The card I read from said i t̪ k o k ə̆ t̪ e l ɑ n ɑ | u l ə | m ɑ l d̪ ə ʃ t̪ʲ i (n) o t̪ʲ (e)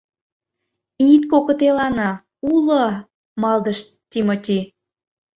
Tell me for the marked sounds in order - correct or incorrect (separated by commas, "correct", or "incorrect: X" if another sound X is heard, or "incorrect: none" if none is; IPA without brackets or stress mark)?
incorrect: m, incorrect: i